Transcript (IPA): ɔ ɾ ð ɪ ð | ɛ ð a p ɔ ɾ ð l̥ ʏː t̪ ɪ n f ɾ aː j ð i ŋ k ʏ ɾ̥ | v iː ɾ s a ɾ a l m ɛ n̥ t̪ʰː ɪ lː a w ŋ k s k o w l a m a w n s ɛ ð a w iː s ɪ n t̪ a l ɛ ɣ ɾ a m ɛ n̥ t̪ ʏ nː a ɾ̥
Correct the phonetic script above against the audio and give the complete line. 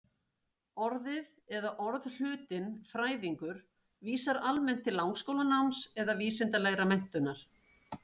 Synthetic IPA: ɔ ɾ ð ɪ ð | ɛ ð a ʔ ɔ ɾ ð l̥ ʏː t̪ ɪ n f ɾ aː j ð i ŋ k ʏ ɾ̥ | v iː s a ɾ a l m ɛ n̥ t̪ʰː ɪ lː a w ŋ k s k o w l a n a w m s ɛ ð a v iː s ɪ n t̪ a l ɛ ɣ ɾ a m ɛ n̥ t̪ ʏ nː a ɾ̥